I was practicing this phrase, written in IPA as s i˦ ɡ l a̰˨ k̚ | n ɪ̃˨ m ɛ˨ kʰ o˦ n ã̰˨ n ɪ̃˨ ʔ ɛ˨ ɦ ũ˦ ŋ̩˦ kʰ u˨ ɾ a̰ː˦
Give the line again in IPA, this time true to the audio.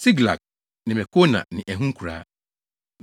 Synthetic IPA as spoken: s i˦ ɡ l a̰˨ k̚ | n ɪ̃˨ m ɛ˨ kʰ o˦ n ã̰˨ n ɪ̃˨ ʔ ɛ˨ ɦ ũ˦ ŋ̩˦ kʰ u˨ ɾ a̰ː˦